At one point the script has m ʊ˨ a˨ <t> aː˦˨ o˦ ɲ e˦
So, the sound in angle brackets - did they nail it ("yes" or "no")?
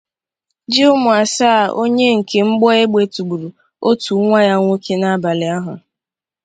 no